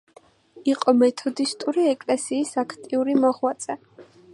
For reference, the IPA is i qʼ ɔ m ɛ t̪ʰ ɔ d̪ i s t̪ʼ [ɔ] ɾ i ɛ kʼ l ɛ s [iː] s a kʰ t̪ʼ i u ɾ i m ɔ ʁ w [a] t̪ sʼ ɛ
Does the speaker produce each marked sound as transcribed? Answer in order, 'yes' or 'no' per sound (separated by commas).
no, yes, yes